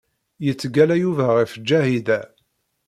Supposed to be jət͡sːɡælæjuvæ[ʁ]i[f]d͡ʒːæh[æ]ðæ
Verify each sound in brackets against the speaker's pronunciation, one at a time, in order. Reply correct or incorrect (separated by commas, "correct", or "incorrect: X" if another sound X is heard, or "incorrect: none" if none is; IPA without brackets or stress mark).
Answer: correct, correct, incorrect: i